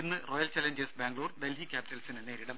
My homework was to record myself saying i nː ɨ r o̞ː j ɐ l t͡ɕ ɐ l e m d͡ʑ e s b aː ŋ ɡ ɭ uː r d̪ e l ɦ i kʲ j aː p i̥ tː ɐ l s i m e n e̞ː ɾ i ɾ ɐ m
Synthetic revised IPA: i nː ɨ r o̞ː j ɐ l t͡ɕ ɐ l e ɲ d͡ʑ e s b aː ŋ ɡ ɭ uː r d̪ e l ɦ i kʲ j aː p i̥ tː ɐ l s i n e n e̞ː ɾ i ɽ ɐ m